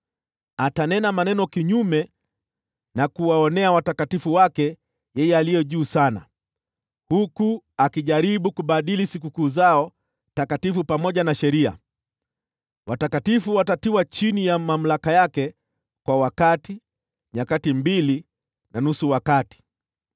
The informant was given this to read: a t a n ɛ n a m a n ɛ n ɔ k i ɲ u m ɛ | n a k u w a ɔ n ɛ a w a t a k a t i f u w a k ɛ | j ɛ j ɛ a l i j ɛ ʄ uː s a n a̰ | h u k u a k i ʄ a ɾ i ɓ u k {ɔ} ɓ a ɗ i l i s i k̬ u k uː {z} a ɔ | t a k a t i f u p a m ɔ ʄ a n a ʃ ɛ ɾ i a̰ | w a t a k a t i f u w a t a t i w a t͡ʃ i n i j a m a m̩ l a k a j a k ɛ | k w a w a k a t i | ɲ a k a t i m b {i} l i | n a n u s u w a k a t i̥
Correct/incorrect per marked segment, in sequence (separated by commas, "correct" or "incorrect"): incorrect, correct, correct